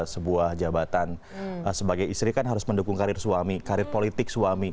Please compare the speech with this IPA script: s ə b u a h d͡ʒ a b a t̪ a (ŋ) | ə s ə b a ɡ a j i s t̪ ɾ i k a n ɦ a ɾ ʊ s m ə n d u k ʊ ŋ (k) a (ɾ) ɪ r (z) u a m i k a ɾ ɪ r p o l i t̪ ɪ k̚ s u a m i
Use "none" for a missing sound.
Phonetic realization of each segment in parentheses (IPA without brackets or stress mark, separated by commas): n, k, ɾ, s